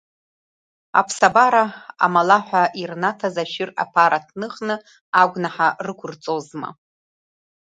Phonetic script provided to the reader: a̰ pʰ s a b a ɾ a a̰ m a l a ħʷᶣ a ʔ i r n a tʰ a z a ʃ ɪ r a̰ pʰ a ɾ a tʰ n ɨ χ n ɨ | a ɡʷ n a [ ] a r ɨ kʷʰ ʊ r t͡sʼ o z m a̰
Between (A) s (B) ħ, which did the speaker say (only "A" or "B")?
B